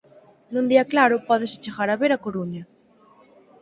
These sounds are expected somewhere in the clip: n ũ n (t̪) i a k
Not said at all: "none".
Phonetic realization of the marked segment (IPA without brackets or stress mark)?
d̪